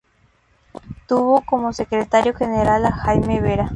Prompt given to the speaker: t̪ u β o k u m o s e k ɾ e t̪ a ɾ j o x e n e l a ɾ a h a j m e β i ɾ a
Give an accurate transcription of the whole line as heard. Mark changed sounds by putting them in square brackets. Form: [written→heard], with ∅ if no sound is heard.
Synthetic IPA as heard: t̪ u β o k [u→o] m o s e k ɾ e t̪ a ɾ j o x e n e [l→ɾ] a [ɾ→l] a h a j m e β [i→e] ɾ a

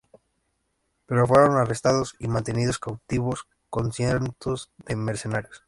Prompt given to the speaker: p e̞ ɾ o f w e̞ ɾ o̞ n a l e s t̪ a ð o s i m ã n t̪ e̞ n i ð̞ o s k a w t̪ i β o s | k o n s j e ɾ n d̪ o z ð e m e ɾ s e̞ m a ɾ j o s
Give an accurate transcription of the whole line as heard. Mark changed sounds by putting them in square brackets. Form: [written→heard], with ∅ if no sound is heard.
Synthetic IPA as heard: p e̞ ɾ o f w e̞ ɾ o̞ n a [l→r] e s t̪ a ð o s i m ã n t̪ e̞ n i ð̞ o s k a w t̪ i β o s | k o n s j e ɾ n [d̪→t̪] o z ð e m e ɾ s e̞ [m→n] a ɾ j o s

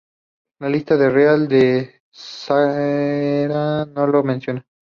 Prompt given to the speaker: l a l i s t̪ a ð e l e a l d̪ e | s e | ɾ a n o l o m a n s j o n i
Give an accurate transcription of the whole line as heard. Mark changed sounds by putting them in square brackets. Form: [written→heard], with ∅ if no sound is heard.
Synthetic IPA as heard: l a l i s t̪ a ð e [l→r] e a l d̪ e | s [e→a] | ɾ a n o l o m [a→e] n s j o n [i→a]

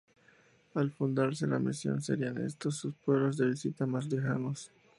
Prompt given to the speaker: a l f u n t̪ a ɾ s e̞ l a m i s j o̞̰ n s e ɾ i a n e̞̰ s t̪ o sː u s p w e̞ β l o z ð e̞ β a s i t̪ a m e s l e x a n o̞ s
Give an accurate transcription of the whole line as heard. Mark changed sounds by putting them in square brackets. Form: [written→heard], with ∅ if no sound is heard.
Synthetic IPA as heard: a l f u n [t̪→d̪] a ɾ s e̞ l a m i s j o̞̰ n s e ɾ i a n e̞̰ s t̪ o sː u s p w e̞ β l o z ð e̞ β [a→i] s i t̪ a m [e→a] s l e x a n o̞ s

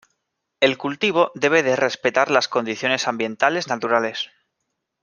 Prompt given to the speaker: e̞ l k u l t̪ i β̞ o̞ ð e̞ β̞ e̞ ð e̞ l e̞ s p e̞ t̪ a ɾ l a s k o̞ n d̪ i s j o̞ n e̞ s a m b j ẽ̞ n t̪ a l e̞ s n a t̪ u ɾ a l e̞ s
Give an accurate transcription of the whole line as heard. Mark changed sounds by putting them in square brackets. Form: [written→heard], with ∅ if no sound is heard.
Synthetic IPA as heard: e̞ l k u l t̪ i β̞ o̞ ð e̞ β̞ e̞ ð e̞ [l→r] e̞ s p e̞ t̪ a ɾ l a s k o̞ n d̪ i [s→θ] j o̞ n e̞ s a m b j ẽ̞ n t̪ a l e̞ [s→z] n a t̪ u ɾ a l e̞ s

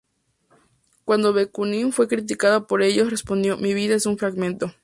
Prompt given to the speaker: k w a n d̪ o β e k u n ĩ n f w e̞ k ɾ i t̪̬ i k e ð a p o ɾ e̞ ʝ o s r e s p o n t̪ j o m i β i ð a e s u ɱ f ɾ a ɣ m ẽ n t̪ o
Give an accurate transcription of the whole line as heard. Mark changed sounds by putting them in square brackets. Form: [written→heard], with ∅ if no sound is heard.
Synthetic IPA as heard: k w a n d̪ o β e k u n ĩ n f w e̞ k ɾ i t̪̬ i k [e→a] ð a p o ɾ e̞ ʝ o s r e s p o n [t̪→d̪] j o m i β i ð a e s u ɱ f ɾ a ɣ m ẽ n t̪ o

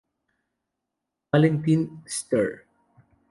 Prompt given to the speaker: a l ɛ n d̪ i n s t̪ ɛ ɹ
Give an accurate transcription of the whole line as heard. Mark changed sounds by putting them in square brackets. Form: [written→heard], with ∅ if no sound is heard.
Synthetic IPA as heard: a l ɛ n [d̪→t̪] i n s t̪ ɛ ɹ

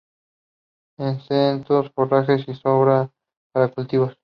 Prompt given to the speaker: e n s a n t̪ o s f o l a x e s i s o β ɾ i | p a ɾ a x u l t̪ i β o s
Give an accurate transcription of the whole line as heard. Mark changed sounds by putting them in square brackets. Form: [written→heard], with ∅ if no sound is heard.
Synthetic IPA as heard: e n s [a→e] n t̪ o s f o [l→r] a x e s i s o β ɾ [i→a] | p a ɾ a [x→k] u l t̪ i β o s

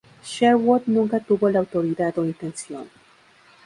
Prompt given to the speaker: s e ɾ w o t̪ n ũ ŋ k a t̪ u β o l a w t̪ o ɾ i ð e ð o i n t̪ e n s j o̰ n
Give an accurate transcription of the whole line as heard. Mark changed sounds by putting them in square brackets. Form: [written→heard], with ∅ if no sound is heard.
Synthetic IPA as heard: [s→ʃ] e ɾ w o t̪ n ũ ŋ k a t̪ u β o l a w t̪ o ɾ i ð [e→a] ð o i n t̪ e n s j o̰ n

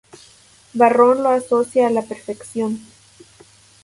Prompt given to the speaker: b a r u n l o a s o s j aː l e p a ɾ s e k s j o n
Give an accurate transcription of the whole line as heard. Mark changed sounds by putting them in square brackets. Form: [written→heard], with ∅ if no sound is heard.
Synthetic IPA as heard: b a r [u→o] n l o a s o s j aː l [e→a] p [a→e] ɾ [s→f] e k s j o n

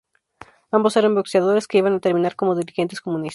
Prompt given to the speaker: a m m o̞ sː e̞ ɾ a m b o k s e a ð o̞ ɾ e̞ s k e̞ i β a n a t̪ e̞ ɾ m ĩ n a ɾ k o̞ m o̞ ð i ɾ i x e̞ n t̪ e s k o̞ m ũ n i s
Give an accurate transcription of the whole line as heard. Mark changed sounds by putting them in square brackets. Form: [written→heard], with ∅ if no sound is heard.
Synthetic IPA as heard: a m [m→b] o̞ [sː→s] e̞ ɾ a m b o k s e a ð o̞ ɾ e̞ s k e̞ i β a n a t̪ e̞ ɾ m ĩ n a ɾ k o̞ m o̞ ð i ɾ i x e̞ n t̪ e s k o̞ m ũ n i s

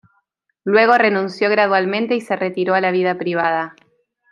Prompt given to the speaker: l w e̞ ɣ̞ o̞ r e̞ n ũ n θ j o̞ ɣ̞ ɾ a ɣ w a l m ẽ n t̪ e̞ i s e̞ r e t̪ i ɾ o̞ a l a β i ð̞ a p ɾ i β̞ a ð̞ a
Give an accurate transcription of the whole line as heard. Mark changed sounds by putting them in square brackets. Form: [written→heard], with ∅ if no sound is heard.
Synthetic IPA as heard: l w e̞ ɣ̞ o̞ r e̞ n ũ n [θ→s] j o̞ ɣ̞ ɾ a [ɣ→ð] w a l m ẽ n t̪ e̞ i s e̞ r e t̪ i ɾ o̞ a l a β i ð̞ a p ɾ i β̞ a ð̞ a

